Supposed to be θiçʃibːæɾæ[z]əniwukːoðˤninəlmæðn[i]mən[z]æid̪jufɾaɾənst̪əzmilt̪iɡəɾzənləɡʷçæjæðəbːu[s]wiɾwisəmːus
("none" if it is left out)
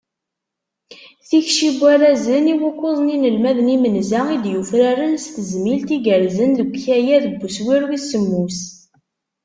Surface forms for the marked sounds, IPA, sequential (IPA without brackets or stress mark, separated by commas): z, i, z, s